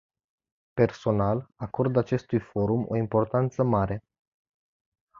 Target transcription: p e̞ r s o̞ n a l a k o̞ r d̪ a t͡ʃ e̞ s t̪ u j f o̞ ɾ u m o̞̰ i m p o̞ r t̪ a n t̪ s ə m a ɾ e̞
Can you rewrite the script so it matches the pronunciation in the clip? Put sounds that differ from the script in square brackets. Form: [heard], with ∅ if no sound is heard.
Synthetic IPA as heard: p e̞ r s o̞ n a l a k o̞ r d̪ a t͡ʃ e̞ s t̪ u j f o̞ ɾ u m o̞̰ i m p o̞ r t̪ a n t̪ s ə m a ɾ e̞